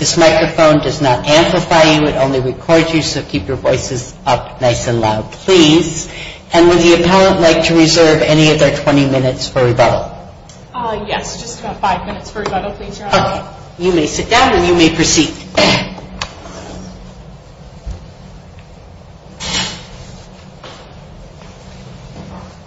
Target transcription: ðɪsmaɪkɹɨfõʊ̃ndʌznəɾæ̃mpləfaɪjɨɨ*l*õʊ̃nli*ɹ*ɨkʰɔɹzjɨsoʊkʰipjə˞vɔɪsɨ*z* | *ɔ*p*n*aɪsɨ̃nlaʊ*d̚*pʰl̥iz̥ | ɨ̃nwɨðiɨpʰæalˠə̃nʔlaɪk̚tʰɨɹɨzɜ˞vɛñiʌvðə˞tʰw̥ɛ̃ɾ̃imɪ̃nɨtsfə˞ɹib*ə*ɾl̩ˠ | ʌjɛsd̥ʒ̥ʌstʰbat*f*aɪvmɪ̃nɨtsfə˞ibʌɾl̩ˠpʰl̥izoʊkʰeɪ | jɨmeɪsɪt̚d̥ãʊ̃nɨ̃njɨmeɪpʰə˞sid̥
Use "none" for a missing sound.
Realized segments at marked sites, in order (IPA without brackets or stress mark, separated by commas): ɾ, ɹ, z, ʌ, n, d̚, ʌ, f